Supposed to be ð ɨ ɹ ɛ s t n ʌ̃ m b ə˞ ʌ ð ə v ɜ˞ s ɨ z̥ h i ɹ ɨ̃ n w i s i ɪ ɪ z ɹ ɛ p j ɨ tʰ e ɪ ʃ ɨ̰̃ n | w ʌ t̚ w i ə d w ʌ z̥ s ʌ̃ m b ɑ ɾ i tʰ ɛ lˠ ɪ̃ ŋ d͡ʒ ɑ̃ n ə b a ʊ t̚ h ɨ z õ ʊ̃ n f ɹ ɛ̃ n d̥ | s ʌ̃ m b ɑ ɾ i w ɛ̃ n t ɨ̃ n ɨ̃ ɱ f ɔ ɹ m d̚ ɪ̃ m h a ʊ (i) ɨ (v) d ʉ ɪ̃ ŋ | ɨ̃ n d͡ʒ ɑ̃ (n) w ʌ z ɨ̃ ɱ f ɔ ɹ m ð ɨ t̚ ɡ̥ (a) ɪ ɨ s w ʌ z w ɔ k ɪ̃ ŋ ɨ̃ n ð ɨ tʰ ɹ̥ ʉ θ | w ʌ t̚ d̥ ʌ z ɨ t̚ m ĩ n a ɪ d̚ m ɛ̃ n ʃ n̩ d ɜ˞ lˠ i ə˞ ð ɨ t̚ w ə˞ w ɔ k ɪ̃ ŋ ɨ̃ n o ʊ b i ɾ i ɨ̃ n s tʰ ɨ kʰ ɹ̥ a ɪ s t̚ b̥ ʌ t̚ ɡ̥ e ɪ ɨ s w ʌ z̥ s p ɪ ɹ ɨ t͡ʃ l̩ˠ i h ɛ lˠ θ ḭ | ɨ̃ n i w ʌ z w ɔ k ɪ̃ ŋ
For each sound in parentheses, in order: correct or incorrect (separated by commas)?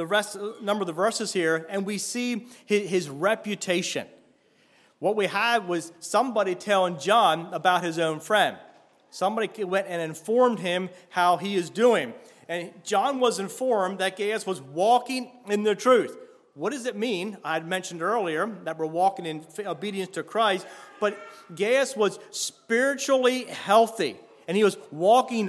correct, incorrect, correct, incorrect